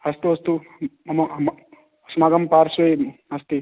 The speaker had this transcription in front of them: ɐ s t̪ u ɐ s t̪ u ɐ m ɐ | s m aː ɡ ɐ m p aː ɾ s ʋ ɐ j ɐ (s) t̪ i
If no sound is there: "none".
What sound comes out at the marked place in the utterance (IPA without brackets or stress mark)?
s